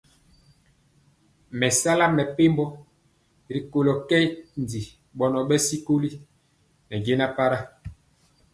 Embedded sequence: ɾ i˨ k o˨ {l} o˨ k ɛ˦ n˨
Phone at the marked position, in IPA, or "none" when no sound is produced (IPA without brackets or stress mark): l